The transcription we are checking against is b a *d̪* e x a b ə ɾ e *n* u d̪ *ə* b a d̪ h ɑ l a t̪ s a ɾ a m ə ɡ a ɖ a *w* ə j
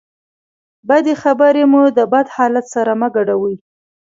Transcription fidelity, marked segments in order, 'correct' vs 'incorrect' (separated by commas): correct, incorrect, correct, correct